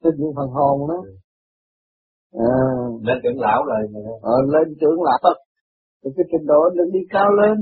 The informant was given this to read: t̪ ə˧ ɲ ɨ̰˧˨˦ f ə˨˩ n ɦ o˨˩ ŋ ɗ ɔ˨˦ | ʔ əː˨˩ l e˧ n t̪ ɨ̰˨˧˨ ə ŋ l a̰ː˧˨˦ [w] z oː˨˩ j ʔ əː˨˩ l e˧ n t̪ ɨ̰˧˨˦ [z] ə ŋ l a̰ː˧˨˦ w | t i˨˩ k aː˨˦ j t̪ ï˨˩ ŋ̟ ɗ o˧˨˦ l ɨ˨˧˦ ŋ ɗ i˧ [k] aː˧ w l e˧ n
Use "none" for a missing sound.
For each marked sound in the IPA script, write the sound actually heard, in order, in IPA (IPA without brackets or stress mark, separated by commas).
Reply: w, none, k